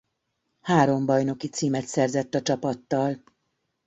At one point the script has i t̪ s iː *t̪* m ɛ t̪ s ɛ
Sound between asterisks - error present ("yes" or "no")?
yes